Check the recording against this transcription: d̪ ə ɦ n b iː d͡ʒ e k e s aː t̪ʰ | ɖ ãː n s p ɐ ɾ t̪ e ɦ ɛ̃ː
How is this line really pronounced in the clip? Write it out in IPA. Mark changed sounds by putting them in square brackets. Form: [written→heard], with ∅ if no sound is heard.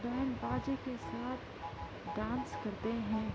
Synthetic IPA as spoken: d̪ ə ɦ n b [iː→aː] d͡ʒ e k e s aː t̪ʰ | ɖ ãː n s [p→k] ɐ ɾ t̪ e ɦ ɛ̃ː